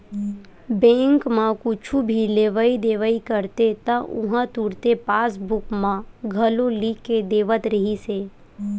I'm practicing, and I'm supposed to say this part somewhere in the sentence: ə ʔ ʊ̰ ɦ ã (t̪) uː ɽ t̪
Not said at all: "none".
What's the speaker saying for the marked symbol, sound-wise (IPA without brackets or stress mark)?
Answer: t̪